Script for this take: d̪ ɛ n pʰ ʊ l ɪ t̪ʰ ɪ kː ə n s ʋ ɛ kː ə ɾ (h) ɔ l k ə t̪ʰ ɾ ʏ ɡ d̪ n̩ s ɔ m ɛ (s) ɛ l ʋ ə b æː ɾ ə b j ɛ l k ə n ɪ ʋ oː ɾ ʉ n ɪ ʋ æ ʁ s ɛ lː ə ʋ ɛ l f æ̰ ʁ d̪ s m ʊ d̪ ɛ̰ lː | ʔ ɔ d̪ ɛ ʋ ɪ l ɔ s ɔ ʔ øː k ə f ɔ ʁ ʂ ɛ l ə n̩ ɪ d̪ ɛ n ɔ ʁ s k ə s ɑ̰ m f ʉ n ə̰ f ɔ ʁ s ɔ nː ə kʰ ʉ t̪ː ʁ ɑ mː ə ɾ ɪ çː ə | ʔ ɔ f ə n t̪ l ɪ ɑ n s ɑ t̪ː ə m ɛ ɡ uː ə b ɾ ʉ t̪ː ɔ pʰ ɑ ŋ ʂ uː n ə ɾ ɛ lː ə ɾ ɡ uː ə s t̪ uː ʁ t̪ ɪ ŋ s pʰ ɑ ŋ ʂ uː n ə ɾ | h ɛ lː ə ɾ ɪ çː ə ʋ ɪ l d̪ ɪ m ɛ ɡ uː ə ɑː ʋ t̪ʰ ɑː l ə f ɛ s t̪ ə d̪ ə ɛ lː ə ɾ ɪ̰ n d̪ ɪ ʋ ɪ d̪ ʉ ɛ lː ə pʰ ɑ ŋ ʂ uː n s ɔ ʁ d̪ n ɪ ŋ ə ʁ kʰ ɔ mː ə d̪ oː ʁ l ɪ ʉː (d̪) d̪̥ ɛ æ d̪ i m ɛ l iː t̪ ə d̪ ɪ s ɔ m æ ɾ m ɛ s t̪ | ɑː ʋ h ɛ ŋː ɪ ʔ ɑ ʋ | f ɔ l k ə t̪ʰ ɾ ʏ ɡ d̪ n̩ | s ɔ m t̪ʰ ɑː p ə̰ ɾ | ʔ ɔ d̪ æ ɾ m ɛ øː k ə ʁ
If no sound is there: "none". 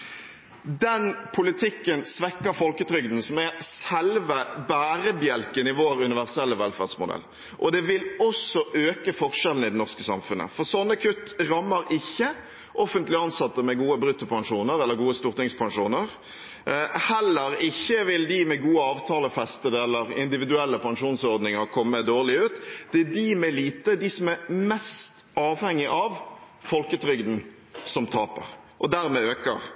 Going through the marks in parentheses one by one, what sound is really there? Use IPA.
f, s, t̪

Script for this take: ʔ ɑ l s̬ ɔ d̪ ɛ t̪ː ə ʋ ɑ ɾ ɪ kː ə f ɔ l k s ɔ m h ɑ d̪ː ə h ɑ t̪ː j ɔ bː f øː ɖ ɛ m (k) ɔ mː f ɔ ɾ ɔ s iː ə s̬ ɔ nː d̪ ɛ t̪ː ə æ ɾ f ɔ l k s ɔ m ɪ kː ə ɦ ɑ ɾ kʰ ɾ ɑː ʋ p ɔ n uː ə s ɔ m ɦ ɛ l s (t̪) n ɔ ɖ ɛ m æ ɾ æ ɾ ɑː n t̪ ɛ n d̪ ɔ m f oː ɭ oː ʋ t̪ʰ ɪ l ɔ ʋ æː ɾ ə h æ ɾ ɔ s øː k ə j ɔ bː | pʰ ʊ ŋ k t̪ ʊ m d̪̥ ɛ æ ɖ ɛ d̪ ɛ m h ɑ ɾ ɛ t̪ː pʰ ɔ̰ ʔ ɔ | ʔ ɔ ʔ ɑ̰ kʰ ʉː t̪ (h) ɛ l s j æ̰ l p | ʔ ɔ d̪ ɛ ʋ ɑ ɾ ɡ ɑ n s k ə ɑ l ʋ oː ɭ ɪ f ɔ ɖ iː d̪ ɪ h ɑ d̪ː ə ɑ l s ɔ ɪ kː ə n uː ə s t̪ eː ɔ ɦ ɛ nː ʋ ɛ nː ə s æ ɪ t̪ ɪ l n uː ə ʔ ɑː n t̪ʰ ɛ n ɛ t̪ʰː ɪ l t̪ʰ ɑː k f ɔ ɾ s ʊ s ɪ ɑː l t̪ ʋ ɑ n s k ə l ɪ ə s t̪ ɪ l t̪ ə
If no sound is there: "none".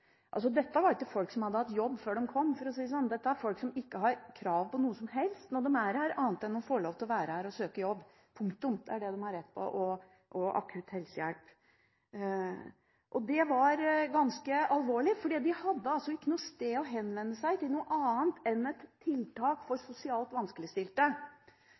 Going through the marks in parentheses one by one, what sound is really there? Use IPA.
kʰ, t̪, h

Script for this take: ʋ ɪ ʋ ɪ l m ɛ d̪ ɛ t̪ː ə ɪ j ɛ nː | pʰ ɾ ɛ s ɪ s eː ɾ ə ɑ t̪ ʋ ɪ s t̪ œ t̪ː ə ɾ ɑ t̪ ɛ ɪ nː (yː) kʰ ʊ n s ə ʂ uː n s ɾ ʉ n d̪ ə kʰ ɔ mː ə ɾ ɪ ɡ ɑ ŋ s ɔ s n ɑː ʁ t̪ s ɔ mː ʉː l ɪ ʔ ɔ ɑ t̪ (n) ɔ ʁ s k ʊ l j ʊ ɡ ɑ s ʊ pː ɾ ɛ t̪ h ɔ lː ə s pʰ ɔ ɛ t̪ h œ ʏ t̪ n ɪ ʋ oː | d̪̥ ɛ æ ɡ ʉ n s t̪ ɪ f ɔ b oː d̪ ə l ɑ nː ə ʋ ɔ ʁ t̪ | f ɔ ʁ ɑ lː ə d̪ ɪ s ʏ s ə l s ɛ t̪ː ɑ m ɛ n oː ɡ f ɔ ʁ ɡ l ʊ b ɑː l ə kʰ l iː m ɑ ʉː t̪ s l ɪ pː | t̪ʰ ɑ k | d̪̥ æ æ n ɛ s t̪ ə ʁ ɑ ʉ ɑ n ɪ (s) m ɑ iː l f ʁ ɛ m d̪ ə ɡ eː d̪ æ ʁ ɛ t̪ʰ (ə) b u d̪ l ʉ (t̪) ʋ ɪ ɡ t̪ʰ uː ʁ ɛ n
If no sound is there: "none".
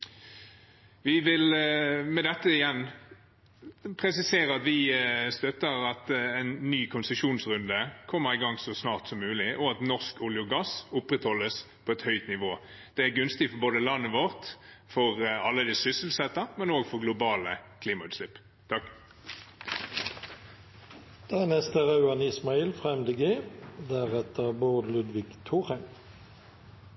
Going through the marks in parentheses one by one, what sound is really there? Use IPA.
yː, n, s, ə, d̪

